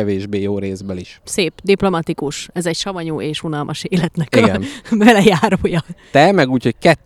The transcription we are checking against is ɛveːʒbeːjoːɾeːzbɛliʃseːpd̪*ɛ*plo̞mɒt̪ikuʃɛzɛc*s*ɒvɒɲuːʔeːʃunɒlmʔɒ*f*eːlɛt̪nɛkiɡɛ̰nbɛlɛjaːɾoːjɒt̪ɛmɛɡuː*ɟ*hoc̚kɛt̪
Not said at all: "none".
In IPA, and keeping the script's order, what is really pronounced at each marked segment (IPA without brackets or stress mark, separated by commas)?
i, ʃ, ʃ, c